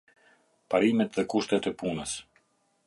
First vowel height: low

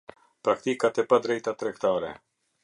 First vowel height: low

